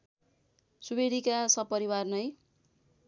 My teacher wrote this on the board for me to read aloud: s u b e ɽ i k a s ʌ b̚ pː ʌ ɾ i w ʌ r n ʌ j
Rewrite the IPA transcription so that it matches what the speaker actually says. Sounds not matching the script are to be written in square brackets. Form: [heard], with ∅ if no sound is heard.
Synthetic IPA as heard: s u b e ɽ i k a s ʌ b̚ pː ʌ ɾ i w [a] r n ʌ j